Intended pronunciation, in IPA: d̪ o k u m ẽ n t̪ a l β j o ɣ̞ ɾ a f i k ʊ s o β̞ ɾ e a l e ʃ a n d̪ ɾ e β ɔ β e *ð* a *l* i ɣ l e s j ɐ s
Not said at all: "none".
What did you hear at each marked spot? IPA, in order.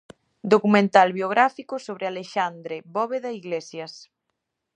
ð, none

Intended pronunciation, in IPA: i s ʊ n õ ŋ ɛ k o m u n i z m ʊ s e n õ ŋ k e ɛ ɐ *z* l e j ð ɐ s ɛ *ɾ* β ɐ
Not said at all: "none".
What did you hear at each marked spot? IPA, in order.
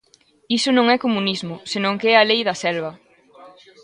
none, l

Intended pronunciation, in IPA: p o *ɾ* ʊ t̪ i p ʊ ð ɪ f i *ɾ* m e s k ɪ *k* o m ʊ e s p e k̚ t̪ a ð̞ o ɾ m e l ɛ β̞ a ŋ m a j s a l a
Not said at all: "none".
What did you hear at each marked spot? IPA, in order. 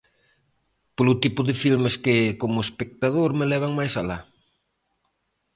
l, l, k

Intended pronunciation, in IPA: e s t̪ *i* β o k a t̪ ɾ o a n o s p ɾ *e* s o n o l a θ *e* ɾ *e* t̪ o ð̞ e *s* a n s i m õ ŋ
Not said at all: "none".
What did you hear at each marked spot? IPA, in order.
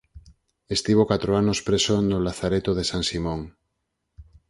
i, e, a, e, s

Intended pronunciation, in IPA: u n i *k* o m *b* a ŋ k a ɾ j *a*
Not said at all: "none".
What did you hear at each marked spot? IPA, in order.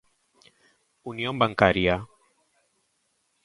none, b, a

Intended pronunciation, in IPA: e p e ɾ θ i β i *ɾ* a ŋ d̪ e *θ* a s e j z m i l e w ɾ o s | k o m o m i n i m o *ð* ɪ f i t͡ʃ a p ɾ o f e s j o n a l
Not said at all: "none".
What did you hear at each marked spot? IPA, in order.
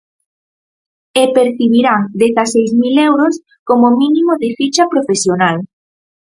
ɾ, θ, ð

